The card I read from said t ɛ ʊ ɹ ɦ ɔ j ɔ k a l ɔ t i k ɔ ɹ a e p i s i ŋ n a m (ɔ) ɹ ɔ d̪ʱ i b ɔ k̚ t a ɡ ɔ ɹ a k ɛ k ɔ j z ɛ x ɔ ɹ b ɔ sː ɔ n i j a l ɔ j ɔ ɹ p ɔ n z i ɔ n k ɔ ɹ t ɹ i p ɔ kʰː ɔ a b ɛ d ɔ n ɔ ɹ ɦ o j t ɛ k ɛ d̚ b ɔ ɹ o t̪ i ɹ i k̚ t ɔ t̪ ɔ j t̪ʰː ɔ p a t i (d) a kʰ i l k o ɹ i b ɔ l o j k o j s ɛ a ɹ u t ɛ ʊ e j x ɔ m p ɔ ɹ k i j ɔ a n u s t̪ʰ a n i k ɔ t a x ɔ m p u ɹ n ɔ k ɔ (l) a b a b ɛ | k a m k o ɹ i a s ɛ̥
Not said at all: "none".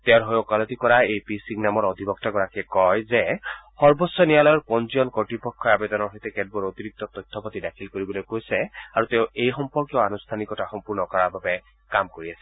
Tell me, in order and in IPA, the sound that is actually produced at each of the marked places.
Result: ɔ, d, ɹ

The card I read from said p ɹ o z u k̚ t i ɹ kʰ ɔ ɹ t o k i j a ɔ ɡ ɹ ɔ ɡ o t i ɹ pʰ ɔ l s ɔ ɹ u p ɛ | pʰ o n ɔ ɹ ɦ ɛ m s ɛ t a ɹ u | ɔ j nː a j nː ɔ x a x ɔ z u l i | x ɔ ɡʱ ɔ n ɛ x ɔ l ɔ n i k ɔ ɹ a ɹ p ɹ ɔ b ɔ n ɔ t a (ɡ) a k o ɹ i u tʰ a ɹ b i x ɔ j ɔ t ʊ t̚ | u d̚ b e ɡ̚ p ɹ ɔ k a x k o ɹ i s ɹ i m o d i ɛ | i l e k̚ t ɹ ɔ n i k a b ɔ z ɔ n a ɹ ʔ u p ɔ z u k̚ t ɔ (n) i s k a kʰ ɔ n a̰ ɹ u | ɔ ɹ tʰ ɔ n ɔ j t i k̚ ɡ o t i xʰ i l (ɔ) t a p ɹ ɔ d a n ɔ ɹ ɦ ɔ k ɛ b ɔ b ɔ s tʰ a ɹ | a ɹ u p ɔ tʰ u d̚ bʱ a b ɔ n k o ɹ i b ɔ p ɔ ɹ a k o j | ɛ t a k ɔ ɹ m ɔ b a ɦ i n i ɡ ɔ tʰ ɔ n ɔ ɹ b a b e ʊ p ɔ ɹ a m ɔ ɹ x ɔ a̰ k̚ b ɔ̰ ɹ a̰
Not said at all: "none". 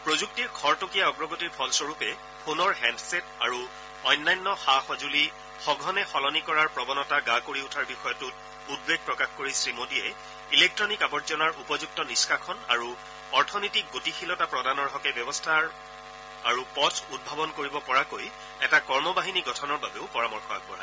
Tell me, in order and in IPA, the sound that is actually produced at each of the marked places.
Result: ɡ, n, ɔ

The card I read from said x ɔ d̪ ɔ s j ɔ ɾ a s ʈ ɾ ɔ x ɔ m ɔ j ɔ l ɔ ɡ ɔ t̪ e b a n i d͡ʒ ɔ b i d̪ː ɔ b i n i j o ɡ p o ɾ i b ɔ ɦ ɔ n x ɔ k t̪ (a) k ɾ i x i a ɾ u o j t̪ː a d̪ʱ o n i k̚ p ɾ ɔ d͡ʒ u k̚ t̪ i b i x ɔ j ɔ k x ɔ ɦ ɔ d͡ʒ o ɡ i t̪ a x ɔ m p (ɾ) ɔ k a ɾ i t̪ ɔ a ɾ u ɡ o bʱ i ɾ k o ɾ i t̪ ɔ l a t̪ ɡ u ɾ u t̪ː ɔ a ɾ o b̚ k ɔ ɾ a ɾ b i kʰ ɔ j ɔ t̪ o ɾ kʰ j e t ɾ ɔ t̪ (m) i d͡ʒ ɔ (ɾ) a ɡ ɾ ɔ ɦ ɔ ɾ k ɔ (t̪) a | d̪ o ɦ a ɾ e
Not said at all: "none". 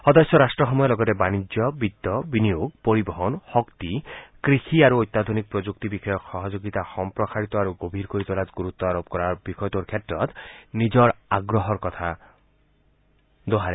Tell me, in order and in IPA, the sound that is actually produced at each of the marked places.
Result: i, ɾ, n, ɾ, t̪ʰ

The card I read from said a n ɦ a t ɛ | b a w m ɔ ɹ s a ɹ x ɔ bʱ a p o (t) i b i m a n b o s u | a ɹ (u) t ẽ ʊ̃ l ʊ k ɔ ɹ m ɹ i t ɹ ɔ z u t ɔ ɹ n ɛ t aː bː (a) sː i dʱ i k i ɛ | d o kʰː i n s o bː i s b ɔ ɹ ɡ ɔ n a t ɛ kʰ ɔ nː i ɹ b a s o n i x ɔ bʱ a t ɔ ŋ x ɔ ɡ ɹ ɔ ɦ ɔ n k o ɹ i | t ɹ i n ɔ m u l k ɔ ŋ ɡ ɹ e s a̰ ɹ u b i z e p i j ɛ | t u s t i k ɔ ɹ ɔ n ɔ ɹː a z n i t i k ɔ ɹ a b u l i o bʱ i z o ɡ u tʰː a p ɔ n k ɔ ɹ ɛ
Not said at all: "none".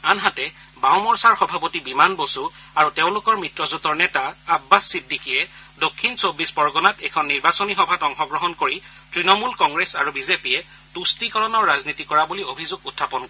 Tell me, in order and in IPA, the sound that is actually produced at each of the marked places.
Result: t, u, a

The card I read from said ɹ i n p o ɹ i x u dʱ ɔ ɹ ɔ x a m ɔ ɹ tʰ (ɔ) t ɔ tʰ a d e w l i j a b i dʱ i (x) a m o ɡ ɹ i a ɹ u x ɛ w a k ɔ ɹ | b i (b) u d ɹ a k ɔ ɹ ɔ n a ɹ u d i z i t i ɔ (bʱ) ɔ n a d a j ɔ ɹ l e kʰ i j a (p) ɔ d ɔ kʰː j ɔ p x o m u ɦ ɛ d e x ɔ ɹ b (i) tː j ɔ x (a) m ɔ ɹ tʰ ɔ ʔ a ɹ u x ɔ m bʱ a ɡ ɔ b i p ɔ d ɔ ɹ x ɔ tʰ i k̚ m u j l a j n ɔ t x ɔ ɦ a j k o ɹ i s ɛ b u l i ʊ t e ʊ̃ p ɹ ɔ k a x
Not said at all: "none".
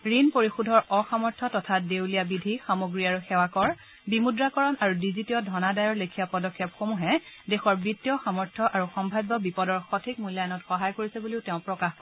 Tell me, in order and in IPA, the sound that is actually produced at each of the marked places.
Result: ɔ, x, m, dʱ, p, i, a

